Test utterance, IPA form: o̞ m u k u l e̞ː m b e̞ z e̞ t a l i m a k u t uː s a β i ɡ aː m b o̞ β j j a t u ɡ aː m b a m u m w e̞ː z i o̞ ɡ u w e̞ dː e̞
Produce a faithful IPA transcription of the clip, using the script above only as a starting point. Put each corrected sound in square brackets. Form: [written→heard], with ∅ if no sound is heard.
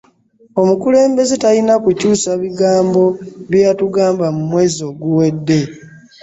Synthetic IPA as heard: o̞ m u k u l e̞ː m b e̞ z e̞ t a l i [m→n] a k u [t→c] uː s a β i ɡ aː m b o̞ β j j a t u ɡ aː m b a m u m w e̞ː z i o̞ ɡ u w e̞ dː e̞